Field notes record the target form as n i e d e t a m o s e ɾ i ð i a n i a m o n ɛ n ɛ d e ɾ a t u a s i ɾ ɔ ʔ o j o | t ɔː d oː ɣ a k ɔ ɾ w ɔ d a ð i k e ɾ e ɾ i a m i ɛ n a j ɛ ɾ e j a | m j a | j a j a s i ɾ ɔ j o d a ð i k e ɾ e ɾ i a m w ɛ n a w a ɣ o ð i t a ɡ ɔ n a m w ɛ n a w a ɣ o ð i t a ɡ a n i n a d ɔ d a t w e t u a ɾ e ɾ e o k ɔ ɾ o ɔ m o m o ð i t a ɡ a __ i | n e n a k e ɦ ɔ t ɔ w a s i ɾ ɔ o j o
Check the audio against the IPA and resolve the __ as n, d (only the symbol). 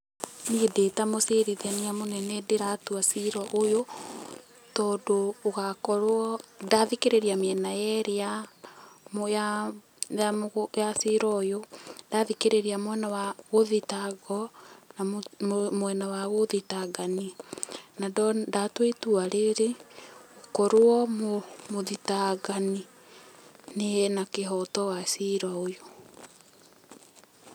n